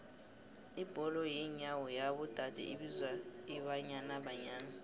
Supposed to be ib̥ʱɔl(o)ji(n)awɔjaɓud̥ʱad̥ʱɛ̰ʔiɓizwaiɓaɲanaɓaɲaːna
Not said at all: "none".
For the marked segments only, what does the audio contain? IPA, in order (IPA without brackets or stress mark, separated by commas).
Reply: ɔ, ɲ